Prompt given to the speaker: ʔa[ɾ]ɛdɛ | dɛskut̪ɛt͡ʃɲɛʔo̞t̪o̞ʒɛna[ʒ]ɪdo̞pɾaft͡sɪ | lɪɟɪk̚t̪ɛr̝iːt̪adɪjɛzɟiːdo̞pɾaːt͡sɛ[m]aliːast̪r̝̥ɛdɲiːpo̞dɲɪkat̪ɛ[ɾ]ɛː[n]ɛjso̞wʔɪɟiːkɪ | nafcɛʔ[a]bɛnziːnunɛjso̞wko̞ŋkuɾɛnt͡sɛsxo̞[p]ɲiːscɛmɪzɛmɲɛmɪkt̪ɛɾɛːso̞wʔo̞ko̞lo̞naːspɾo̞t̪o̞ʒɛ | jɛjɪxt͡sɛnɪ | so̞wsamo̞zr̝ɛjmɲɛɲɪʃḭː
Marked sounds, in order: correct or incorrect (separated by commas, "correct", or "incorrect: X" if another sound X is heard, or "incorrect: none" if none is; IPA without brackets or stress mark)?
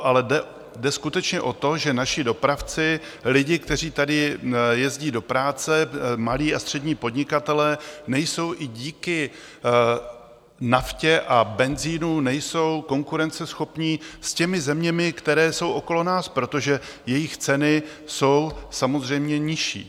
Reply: incorrect: l, incorrect: ʃ, correct, incorrect: l, correct, correct, correct